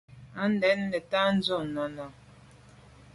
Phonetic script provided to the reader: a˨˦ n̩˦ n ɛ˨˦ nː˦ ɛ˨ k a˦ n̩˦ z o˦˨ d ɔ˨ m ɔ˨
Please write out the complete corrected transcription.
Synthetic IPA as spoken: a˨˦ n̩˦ d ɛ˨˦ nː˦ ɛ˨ t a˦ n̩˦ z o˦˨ n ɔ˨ n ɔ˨

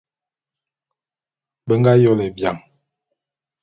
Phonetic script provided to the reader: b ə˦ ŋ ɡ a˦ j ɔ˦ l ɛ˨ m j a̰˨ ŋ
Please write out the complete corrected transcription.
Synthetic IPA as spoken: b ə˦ ŋ ɡ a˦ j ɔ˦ l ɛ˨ b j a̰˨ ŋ

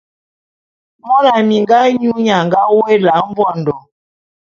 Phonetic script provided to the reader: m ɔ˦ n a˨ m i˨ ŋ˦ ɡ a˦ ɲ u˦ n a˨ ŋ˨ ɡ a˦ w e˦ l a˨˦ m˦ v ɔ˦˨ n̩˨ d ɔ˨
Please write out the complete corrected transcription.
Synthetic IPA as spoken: m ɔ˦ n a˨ m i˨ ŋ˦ ɡ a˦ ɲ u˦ ɲ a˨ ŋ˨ ɡ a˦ w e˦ l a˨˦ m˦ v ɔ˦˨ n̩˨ d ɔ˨

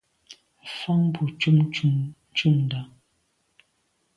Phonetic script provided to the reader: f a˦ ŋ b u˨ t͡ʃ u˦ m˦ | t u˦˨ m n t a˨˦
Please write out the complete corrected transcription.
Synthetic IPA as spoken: f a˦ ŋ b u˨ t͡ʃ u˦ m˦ | t͡ʃ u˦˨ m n d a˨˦

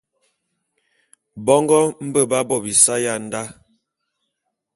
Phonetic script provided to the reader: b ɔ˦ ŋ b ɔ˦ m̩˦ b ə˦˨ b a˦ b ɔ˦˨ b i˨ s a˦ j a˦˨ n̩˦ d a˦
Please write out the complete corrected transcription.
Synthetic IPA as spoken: b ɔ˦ ŋ ɡ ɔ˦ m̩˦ b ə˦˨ b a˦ b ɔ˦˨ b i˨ s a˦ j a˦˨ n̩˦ d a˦

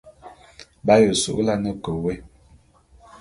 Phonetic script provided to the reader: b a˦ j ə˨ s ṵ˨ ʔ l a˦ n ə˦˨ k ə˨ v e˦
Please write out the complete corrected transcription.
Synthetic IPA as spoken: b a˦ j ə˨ s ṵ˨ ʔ l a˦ n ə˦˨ k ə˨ w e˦

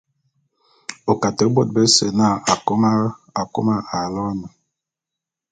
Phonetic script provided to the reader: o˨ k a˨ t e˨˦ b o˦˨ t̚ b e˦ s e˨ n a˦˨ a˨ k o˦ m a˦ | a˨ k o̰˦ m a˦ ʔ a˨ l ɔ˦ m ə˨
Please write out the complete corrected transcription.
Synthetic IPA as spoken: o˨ k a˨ t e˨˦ b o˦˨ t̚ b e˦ s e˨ n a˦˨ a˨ k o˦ m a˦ | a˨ k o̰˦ m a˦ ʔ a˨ l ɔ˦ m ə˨

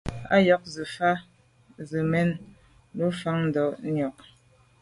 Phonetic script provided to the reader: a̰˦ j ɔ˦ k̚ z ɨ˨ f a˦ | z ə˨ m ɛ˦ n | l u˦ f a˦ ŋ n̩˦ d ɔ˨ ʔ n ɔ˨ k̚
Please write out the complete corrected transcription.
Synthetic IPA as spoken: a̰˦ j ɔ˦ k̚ z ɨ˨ f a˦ | z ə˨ m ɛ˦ n | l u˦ f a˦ ŋ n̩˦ d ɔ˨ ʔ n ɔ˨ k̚

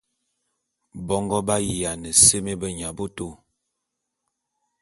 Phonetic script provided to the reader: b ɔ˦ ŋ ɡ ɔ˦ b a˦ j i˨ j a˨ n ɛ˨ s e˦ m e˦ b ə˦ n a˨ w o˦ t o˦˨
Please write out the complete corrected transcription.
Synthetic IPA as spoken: b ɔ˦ ŋ ɡ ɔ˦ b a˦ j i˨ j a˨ n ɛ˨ s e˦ m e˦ b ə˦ ɲ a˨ b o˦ t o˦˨

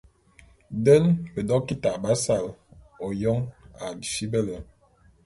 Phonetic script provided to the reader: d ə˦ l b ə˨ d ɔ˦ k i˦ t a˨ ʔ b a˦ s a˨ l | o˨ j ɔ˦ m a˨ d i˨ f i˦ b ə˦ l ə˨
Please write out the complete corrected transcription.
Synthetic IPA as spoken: d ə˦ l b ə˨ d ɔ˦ k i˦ t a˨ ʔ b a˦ s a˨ l | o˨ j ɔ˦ ŋ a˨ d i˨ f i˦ b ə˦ l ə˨

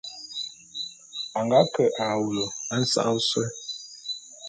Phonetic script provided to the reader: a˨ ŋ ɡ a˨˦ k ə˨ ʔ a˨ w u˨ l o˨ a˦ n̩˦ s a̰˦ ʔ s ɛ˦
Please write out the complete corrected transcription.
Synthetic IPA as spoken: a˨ ŋ ɡ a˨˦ k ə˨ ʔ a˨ w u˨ l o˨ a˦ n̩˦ s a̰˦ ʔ s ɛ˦

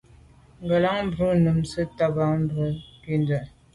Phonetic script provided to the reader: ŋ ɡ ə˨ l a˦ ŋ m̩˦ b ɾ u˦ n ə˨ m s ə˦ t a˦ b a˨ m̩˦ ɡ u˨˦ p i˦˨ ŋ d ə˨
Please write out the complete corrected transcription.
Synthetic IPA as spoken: ŋ ɡ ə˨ l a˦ ŋ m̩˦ b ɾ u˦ n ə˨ m s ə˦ t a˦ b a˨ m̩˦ b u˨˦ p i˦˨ n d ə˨

